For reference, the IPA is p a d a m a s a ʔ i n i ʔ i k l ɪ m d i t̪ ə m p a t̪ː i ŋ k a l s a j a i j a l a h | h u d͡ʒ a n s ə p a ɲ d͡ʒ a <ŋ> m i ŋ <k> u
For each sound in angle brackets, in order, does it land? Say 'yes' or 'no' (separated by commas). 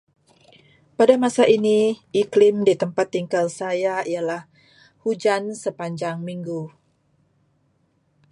yes, no